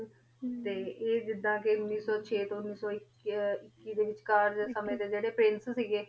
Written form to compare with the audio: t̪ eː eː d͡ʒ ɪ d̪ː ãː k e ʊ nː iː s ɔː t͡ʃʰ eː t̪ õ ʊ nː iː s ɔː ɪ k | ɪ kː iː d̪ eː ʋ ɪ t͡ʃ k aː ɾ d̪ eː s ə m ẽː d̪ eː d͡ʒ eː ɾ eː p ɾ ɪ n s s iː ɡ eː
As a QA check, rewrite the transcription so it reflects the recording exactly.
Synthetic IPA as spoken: t̪ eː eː d͡ʒ ɪ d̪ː ãː k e ʊ nː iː s ɔː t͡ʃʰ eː t̪ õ ʊ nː iː s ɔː ɪ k | ɪ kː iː d̪ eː ʋ ɪ t͡ʃ k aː ɾ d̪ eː s ə m ẽː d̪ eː d͡ʒ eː ɽ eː p ɾ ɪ n s s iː ɡ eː